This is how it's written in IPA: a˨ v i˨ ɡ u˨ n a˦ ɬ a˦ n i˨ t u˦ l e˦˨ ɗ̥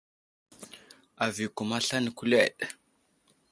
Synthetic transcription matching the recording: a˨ v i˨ k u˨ m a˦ ɬ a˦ n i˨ k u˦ l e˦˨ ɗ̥